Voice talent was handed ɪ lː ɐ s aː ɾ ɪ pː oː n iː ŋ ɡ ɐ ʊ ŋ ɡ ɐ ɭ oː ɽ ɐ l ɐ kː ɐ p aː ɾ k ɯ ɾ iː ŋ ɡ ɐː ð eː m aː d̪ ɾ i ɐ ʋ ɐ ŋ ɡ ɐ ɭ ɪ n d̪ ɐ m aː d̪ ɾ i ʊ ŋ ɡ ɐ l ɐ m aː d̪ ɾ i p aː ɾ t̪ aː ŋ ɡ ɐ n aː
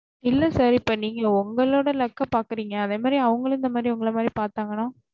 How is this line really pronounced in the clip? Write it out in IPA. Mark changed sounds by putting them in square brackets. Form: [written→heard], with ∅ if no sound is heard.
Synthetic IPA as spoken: ɪ lː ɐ s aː ɾ ɪ pː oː n iː ŋ ɡ ɐ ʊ ŋ ɡ ɐ ɭ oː ɽ ɐ l ɐ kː ɐ p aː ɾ k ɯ ɾ iː ŋ ɡ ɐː ð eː m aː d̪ ɾ i ɐ ʋ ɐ ŋ ɡ ɐ ɭ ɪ n d̪ ɐ m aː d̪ ɾ i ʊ ŋ ɡ ɐ [l→ɭ] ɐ m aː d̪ ɾ i p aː ɾ t̪ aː ŋ ɡ ɐ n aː